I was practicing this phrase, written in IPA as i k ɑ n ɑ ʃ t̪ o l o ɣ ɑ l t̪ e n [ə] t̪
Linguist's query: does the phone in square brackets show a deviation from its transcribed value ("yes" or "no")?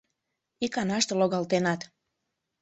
yes